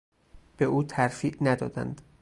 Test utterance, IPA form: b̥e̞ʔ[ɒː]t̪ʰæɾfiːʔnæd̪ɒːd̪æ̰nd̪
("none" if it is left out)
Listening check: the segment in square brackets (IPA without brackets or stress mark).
uː